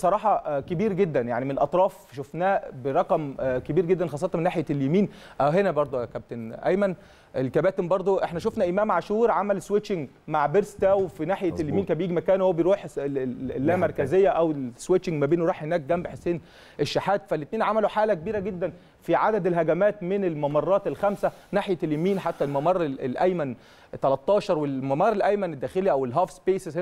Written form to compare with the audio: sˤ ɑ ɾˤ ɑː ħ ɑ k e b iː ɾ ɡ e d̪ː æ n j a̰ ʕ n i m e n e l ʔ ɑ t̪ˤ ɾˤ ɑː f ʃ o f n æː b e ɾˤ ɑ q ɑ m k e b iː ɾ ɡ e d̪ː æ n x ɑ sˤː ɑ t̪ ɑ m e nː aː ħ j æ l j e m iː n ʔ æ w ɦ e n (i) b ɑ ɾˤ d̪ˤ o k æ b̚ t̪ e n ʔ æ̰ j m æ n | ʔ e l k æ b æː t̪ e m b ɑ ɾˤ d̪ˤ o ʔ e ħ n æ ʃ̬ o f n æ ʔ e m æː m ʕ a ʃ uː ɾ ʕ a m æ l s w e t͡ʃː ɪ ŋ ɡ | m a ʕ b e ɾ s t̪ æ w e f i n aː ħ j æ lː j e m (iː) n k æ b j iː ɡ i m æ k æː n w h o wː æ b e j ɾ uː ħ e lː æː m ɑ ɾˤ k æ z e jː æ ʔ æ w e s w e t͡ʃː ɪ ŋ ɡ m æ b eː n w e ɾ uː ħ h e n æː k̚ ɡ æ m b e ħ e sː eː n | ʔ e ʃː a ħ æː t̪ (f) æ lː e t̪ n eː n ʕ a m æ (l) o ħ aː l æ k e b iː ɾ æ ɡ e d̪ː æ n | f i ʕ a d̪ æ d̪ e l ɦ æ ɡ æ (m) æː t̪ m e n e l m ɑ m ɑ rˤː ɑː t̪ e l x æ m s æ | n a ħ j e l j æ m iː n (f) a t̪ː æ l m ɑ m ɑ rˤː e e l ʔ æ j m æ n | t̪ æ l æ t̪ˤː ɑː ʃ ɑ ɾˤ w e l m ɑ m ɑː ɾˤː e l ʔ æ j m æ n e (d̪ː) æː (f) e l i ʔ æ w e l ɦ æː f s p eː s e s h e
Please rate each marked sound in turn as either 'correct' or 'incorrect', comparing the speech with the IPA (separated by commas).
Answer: incorrect, correct, correct, correct, correct, incorrect, correct, incorrect